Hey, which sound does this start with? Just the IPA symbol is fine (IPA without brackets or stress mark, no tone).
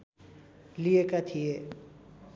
l